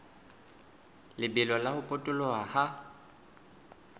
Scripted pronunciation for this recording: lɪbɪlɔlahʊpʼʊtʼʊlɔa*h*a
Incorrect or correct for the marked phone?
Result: correct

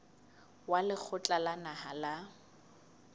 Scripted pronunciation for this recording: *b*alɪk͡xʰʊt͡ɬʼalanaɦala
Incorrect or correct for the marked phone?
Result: incorrect: w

